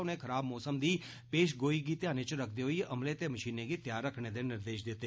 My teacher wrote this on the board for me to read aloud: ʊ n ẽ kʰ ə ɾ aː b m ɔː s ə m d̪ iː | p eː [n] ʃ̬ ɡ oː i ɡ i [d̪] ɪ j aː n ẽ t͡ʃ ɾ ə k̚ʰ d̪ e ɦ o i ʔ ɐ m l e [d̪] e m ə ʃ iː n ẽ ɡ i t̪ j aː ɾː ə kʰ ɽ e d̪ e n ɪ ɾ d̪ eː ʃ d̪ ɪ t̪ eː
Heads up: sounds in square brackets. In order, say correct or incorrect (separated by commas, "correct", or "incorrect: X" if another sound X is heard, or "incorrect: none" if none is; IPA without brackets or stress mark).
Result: incorrect: none, incorrect: t̪, incorrect: t̪